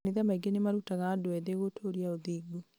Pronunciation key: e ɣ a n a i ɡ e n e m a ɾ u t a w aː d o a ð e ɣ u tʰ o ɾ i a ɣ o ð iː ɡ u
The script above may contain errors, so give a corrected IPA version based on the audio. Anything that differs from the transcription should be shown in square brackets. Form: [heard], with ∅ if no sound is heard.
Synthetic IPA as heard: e [ð] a [m] a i ɡ e n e m a ɾ u t a [ɣ] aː d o [ɛ] ð e ɣ [o] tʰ o ɾ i a [∅] o ð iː ɡ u

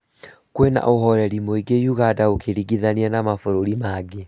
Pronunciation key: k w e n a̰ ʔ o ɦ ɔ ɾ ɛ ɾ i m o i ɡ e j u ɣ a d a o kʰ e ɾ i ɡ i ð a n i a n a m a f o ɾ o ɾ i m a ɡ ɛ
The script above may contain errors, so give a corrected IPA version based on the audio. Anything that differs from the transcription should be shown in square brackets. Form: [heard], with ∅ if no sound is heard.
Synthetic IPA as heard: k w e n a̰ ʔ o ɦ ɔ ɾ ɛ ɾ i m o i ɡ e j u ɣ a d a o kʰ e ɾ i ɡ i ð a n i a n a m a f o ɾ o ɾ i m a ɡ [e]

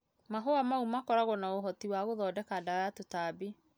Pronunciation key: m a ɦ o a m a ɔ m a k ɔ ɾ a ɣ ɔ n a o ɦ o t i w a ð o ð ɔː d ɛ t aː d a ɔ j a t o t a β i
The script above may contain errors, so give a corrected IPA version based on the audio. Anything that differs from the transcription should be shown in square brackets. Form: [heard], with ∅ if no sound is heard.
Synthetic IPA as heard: m a ɦ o a m a [u] m a k ɔ ɾ a ɣ ɔ n a o ɦ [ɔ] t i w a [ɣ] o ð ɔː d ɛ [k] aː d a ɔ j a t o t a [b] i

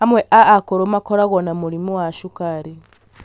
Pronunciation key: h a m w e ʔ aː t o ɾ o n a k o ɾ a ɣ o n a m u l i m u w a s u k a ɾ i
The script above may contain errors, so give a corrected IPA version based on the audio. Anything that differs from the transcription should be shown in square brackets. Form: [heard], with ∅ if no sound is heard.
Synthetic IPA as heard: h a m w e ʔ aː [k] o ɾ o [m] a k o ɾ a ɣ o n a m u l i m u w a [ʃ] u k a ɾ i

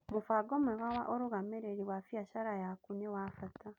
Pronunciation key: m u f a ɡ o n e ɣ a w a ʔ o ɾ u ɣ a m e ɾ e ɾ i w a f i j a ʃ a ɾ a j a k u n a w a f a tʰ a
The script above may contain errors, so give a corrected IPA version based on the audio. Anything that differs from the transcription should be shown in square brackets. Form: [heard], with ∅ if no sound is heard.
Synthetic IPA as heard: m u f a ɡ o [m] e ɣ a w a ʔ o ɾ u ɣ a m e ɾ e ɾ i w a f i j a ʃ a ɾ a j a k u n [e] w a f a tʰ a

